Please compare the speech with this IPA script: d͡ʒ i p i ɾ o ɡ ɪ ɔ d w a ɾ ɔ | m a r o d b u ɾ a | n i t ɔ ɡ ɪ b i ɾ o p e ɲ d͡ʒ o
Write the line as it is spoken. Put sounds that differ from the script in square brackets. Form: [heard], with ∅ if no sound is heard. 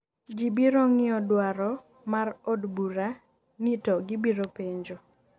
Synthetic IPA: d͡ʒ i [b] i ɾ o [ŋ] ɪ ɔ d w a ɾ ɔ | m a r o d b u ɾ a | n i t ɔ ɡ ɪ b i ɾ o p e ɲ d͡ʒ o